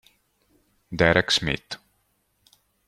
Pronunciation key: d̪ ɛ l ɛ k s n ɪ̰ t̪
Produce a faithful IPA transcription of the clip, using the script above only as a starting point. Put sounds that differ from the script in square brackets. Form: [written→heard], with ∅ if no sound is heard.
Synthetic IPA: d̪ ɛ [l→ɾ] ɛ k s [n→m] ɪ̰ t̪